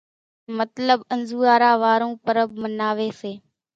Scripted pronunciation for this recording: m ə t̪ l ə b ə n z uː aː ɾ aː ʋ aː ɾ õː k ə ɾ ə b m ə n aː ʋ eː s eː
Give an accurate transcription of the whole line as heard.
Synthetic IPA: m ə t̪ l ə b ə n z uː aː ɾ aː ʋ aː ɾ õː p ə ɾ ə b m ə n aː ʋ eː s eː